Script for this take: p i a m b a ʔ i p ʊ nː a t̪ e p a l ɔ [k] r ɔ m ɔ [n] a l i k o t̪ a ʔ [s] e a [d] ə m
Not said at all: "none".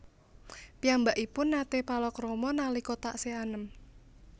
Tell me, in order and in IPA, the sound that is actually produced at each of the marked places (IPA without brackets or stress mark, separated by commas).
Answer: k, n, s, n